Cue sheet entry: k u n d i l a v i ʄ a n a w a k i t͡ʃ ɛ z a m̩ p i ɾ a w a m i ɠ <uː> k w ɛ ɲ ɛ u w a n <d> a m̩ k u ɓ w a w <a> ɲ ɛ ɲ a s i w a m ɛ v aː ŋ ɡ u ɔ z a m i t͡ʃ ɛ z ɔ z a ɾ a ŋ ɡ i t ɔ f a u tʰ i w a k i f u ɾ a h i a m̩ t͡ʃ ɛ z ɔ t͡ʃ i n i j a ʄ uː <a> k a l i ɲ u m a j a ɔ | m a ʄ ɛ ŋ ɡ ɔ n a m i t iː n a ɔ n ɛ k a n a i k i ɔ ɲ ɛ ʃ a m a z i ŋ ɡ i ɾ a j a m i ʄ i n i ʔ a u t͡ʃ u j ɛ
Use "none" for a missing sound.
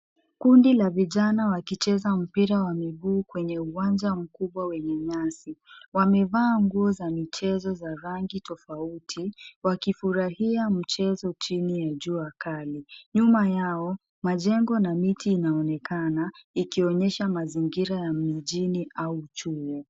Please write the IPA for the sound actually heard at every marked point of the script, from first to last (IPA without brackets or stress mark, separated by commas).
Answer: uː, d͡ʒ, ɛ, a